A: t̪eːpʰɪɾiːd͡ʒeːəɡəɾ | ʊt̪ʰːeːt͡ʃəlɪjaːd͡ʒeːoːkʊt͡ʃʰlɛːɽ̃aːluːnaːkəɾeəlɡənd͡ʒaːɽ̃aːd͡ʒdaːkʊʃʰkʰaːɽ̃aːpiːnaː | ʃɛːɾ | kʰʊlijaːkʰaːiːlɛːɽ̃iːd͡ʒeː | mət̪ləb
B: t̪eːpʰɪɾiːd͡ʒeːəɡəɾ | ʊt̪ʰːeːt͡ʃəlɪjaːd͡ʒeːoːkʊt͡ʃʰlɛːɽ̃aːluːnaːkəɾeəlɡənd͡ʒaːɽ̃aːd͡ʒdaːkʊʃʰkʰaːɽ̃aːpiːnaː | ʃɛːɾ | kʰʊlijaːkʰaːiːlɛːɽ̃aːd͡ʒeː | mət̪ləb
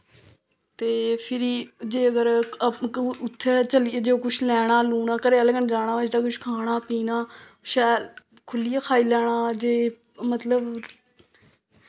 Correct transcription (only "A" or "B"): B